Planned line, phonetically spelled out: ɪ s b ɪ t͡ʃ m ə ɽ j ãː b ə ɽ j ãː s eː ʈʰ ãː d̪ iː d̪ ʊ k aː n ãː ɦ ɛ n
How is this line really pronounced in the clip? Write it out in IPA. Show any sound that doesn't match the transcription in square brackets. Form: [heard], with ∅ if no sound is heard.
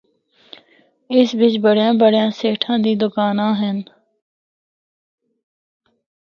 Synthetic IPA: ɪ s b ɪ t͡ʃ [b] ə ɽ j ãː b ə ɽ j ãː s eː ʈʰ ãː d̪ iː d̪ ʊ k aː n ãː ɦ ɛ n